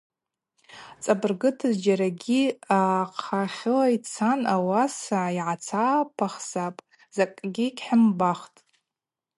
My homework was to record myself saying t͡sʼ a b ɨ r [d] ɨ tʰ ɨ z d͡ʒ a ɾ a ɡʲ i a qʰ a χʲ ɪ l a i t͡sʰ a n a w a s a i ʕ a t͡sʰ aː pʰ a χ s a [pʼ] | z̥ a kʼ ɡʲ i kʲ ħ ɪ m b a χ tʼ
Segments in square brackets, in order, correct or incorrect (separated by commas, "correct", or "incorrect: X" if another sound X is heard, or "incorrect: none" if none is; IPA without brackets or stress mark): incorrect: ɡ, correct